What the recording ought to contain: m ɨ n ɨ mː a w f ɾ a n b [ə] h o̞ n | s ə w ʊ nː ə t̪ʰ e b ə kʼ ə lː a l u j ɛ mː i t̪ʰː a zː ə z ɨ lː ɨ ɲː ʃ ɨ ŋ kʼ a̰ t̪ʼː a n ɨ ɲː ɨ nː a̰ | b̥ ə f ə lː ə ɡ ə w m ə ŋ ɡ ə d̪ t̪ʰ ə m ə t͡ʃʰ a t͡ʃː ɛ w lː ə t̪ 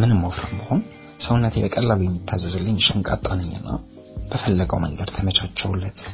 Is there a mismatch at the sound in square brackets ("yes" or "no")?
no